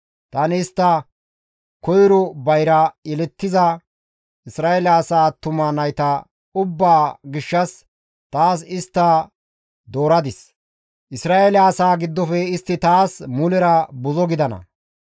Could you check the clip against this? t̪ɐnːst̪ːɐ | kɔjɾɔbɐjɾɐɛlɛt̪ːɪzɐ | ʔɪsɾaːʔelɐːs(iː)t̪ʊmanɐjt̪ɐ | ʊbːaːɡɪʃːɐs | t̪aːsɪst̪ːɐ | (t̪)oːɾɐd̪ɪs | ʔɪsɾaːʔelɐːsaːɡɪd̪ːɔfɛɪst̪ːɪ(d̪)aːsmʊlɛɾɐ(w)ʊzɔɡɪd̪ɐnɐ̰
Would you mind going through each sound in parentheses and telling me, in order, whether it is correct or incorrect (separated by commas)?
incorrect, incorrect, incorrect, incorrect